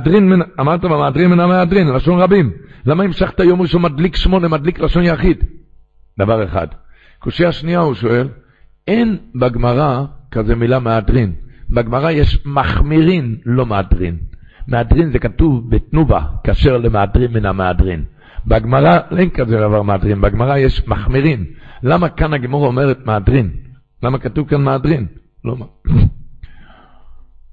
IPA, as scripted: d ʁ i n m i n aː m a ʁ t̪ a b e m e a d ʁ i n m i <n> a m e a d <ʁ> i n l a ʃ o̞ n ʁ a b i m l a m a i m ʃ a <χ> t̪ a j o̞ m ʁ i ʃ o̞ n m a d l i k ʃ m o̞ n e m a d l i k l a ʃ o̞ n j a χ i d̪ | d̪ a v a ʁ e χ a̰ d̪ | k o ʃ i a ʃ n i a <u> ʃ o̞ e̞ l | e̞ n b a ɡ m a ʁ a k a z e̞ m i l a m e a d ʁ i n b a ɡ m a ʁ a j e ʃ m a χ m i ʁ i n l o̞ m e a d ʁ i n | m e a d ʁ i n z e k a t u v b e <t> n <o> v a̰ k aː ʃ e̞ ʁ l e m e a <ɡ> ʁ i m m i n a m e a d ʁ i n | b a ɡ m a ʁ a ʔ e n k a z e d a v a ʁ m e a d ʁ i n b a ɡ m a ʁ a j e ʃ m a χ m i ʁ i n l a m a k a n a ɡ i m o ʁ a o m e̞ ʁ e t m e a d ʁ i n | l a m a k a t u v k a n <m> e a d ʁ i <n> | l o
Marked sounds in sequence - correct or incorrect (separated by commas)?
correct, correct, correct, correct, correct, incorrect, incorrect, correct, correct